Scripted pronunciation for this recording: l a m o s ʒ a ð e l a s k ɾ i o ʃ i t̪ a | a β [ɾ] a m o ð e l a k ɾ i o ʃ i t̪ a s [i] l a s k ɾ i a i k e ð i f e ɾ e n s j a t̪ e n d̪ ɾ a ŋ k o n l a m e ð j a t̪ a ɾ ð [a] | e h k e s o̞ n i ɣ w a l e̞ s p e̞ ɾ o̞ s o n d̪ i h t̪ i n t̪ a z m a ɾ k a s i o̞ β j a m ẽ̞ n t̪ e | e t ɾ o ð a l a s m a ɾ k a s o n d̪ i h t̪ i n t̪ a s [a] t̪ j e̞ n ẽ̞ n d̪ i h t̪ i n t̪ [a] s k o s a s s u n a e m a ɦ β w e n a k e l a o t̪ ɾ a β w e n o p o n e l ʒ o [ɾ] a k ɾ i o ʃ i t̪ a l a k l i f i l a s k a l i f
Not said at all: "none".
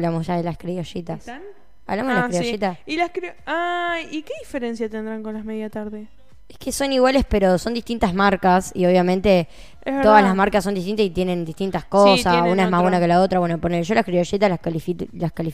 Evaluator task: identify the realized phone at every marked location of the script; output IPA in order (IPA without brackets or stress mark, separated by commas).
l, i, e, i, a, l